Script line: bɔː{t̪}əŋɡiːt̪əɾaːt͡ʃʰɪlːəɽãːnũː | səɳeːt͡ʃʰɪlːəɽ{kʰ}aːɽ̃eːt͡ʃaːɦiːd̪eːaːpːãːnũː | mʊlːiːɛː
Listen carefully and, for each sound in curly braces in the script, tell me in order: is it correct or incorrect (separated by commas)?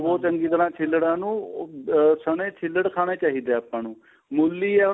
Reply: correct, correct